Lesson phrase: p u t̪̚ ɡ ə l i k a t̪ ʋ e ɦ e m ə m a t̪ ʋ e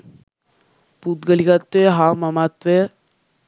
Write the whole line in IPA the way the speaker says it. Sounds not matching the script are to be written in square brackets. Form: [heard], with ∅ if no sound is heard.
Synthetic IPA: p u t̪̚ ɡ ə l i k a t̪ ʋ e ɦ [a] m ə m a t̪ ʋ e

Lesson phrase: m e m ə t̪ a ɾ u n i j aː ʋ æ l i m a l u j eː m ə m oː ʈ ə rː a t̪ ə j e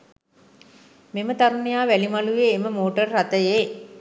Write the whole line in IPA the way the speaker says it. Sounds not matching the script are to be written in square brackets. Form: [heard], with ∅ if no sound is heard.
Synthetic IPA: m e m ə t̪ a ɾ u n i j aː ʋ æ l i m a l u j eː m ə m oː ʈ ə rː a t̪ ə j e

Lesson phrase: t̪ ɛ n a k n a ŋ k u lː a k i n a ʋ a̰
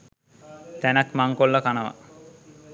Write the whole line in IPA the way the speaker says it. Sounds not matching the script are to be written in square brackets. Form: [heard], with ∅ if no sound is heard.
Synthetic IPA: t̪ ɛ n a k [m] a ŋ k [o] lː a k [a] n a ʋ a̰

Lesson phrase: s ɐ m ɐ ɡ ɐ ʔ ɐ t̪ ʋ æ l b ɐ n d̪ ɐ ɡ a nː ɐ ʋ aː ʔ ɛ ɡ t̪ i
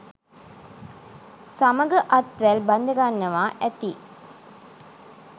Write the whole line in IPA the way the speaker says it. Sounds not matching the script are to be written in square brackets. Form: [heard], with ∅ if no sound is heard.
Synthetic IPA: s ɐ m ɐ ɡ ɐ ʔ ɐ t̪ ʋ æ l b ɐ n d̪ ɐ ɡ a nː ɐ ʋ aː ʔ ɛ [∅] t̪ i

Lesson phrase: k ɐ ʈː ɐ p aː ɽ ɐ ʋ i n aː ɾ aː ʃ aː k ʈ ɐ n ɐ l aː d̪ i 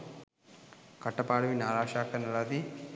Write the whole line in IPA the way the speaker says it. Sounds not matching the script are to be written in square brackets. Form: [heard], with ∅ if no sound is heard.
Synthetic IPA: k ɐ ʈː ɐ p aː ɽ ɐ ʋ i n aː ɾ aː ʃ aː k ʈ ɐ n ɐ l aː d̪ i

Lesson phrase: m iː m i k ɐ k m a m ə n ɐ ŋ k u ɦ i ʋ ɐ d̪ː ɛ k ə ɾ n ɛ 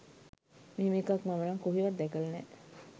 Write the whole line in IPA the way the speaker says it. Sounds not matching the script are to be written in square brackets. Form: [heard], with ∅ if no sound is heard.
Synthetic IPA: m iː m i k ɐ k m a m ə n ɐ ŋ k u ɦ i ʋ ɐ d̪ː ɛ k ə [l] n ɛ

